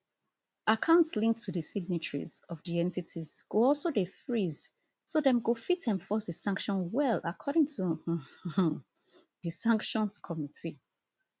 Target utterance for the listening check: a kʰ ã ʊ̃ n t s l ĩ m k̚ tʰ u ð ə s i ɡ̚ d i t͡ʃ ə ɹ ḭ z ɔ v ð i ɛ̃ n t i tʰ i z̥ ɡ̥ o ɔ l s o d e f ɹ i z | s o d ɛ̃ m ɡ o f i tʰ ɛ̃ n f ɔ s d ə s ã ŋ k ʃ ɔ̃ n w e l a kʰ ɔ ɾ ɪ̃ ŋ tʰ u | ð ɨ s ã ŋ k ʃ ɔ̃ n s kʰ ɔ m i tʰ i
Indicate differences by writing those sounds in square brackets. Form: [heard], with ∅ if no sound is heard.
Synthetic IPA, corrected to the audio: a kʰ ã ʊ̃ n t s l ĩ [ŋ] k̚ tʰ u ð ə s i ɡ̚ [n] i t͡ʃ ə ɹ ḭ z ɔ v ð i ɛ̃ n t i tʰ i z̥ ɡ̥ o ɔ l s o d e f ɹ i z | s o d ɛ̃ m ɡ o f i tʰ ɛ̃ n f ɔ s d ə s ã ŋ k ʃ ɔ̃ n w [ɛ] l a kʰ ɔ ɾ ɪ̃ ŋ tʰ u | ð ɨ s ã ŋ k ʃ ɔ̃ n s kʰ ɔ m i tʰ i